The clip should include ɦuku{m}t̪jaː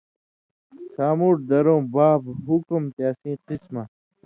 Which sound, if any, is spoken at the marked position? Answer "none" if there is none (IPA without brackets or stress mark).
m